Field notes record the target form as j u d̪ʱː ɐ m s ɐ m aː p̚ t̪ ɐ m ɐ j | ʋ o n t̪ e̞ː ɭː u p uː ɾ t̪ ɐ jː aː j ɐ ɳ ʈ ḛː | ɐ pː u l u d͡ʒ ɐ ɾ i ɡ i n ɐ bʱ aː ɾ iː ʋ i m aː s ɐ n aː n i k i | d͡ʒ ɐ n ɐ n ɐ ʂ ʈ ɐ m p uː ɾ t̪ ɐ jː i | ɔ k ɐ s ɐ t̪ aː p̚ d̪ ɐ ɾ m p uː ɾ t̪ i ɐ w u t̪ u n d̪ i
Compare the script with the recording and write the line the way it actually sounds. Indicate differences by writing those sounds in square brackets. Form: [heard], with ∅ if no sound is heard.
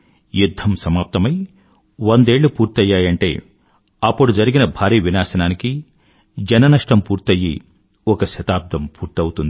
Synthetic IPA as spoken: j u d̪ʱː ɐ m s ɐ m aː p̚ t̪ ɐ m ɐ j | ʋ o n [d̪] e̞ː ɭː u p uː ɾ t̪ ɐ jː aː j ɐ ɳ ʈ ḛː | ɐ pː u [ɽ] u d͡ʒ ɐ ɾ i ɡ i n ɐ bʱ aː ɾ iː ʋ i [n] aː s ɐ n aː n i k i | d͡ʒ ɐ n ɐ n ɐ ʂ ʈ ɐ m p uː ɾ t̪ ɐ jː i | ɔ k ɐ [ʃ] ɐ t̪ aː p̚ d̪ ɐ [∅] m p uː ɾ t̪ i ɐ w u t̪ u n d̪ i